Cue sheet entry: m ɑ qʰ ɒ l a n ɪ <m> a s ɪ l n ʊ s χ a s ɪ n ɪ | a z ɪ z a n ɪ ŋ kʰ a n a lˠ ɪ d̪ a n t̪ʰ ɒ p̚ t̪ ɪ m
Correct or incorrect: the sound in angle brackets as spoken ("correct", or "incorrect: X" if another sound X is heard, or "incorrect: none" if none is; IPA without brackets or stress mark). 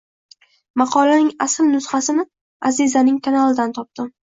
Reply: incorrect: ŋ